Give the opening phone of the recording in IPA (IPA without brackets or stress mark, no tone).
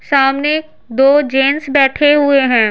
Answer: s